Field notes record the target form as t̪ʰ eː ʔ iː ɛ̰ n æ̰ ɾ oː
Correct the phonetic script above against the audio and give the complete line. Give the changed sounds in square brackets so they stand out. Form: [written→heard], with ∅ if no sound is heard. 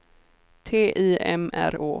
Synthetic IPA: t̪ʰ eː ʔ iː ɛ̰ [n→m] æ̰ ɾ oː